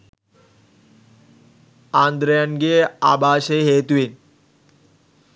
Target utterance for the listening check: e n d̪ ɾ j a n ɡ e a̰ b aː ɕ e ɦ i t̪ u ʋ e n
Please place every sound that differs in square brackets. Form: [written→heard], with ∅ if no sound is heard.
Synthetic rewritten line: [e→a] n d̪ ɾ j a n ɡ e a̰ b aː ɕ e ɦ [i→e] t̪ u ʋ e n

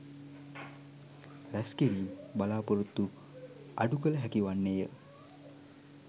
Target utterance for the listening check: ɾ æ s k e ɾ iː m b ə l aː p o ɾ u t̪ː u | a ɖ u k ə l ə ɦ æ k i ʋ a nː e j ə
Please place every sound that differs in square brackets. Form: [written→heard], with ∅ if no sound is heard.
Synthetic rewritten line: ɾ æ s k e ɾ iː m b [ə→a] l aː p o ɾ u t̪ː u | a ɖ u k ə l ə ɦ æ k i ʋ a nː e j ə

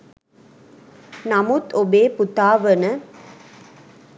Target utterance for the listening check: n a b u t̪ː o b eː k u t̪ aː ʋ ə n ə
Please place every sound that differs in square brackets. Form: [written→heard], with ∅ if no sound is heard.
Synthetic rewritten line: n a [b→m] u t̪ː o b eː [k→p] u t̪ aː ʋ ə n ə

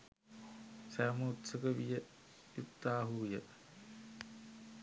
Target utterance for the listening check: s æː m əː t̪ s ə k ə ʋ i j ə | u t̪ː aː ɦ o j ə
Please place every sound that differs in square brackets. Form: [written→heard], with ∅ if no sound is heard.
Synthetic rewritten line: s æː m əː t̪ s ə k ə ʋ i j ə | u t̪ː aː ɦ [o→u] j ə

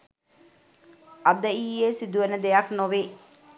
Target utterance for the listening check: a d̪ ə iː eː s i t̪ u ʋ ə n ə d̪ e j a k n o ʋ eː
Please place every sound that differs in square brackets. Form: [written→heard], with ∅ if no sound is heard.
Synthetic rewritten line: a d̪ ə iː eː s i [t̪→d̪] u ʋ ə n ə d̪ e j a k n o ʋ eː

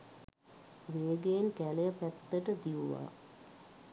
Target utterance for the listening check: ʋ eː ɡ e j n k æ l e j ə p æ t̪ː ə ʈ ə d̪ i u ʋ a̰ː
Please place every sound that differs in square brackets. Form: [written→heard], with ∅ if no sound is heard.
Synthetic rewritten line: ʋ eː ɡ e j n k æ l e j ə p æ t̪ː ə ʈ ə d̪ i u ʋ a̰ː

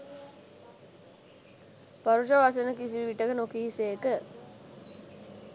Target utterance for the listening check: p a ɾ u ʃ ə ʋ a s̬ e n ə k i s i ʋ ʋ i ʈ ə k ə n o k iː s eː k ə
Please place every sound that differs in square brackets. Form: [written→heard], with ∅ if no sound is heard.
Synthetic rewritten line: p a ɾ u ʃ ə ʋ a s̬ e n ə k i s i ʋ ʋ i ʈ ə k ə n o k iː s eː k ə

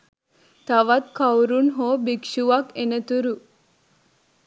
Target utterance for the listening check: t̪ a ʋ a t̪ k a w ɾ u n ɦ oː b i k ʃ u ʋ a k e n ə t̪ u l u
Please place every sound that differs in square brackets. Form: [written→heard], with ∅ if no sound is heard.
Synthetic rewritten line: t̪ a ʋ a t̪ k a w ɾ u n ɦ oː b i k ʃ u ʋ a k e n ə t̪ u [l→ɾ] u

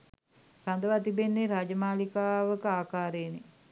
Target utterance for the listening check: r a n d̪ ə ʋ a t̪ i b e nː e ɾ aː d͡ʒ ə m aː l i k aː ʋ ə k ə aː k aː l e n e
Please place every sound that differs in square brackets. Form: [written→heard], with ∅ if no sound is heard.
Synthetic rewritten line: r a n d̪ ə ʋ a t̪ i b e nː e ɾ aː d͡ʒ ə m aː l i k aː ʋ ə k ə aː k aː [l→ɾ] e n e

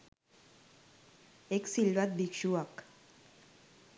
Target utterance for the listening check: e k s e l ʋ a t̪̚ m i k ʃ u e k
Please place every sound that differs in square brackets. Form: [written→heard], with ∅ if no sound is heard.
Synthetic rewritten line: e k s [e→i] l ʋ a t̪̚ [m→b] i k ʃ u [e→a] k

